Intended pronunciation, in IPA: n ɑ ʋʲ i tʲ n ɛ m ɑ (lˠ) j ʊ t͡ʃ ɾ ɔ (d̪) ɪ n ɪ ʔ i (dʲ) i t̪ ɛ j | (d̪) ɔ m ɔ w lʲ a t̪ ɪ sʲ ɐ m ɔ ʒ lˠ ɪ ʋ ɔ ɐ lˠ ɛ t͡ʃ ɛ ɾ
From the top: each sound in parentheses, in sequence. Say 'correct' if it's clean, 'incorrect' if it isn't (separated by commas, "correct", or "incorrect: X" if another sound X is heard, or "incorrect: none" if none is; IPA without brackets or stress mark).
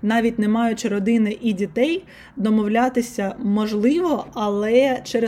incorrect: none, correct, correct, correct